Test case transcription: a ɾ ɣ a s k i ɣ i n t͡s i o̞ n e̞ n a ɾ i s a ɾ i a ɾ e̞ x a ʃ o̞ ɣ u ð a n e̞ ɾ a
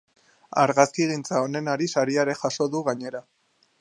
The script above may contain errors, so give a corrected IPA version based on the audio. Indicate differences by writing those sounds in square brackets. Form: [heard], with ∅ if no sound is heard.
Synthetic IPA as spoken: a ɾ ɣ a s k i ɣ i n t͡s [a] o̞ n e̞ n a ɾ i s a ɾ i a ɾ e̞ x a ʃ o̞ [ð] u [ɣ] a [ɲ] e̞ ɾ a